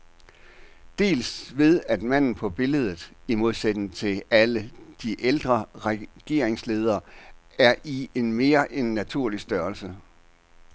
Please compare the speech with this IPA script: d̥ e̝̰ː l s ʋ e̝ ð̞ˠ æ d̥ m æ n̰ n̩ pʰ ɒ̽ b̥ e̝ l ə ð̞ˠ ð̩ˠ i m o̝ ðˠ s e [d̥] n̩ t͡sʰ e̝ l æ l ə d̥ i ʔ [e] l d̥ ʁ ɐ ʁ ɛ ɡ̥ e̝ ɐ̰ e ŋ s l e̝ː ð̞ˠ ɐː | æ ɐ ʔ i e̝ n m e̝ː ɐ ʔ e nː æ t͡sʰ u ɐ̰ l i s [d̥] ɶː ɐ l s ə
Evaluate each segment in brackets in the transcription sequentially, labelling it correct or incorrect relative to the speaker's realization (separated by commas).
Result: correct, correct, correct